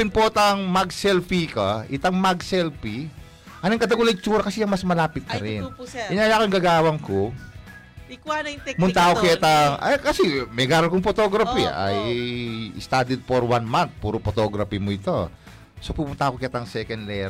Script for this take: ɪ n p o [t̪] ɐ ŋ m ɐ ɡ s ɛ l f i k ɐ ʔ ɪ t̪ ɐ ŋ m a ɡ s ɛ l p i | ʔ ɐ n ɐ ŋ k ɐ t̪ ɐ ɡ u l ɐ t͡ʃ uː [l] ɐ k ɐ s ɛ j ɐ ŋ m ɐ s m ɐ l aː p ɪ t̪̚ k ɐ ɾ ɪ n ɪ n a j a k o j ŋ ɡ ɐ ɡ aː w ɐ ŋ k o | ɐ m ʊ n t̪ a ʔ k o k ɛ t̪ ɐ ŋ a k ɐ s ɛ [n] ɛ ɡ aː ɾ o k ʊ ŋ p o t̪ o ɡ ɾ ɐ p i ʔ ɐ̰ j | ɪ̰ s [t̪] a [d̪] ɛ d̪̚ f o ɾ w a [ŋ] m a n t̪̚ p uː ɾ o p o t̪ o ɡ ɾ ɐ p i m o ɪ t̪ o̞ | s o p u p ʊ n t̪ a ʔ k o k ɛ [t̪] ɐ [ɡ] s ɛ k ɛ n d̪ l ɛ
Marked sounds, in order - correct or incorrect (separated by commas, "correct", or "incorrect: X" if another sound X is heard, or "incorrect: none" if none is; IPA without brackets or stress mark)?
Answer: correct, incorrect: ɾ, incorrect: m, correct, correct, incorrect: n, correct, incorrect: ŋ